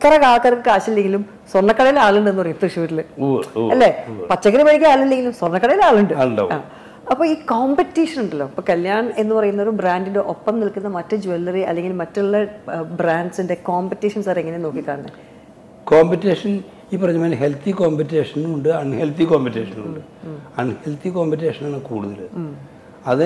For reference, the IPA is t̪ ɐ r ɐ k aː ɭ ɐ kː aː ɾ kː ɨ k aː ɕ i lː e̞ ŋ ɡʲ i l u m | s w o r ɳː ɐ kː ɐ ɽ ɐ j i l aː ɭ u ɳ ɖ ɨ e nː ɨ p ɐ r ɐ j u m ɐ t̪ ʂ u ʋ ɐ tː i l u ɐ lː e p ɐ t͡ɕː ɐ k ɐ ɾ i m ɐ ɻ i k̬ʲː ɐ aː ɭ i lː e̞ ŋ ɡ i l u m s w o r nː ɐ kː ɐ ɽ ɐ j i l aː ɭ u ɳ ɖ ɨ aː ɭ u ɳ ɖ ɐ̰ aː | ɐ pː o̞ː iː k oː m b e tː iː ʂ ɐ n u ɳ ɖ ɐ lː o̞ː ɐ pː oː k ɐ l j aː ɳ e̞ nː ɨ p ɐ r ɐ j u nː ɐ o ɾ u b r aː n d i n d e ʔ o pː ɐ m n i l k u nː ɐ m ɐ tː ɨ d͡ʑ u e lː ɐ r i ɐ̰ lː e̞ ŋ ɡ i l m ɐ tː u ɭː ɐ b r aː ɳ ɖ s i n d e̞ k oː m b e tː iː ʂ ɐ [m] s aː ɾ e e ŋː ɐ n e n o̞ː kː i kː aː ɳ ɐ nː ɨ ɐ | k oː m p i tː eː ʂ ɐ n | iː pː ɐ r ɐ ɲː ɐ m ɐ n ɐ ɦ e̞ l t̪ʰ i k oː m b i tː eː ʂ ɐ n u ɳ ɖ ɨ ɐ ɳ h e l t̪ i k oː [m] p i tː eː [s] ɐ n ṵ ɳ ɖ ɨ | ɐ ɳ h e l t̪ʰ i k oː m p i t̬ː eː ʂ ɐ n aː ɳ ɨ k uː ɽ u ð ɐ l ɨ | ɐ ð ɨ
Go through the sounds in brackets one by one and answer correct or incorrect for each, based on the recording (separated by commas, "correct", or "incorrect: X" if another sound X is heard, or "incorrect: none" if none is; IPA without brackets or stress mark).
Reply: incorrect: n, correct, incorrect: ʂ